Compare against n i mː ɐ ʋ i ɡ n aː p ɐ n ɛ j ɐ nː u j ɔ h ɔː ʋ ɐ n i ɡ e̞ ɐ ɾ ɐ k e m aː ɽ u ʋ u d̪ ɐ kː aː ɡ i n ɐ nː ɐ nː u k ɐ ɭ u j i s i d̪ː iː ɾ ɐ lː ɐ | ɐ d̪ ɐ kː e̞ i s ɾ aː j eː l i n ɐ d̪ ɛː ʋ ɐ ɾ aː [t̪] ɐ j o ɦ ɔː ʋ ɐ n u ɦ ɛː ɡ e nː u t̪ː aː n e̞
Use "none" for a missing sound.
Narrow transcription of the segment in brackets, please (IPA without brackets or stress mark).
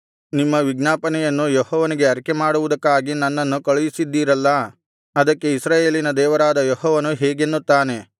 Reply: d̪